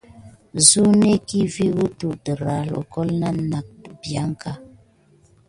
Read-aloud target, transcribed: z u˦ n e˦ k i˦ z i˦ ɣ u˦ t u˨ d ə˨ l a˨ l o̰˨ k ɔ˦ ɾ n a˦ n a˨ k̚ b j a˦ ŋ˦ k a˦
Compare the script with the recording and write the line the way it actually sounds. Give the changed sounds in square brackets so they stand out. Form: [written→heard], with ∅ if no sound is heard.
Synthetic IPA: z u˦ n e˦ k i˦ [z→v] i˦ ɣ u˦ t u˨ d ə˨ [l→ɾ] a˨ l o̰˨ k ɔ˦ [ɾ→l] n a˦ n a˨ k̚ b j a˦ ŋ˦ k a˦